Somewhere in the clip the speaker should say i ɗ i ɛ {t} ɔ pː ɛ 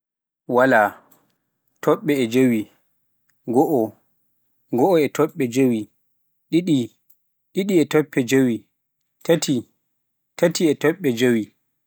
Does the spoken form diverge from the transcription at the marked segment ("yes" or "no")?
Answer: no